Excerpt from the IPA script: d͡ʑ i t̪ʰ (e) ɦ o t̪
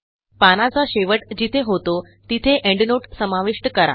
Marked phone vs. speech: correct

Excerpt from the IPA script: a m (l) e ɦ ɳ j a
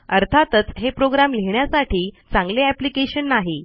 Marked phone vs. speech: correct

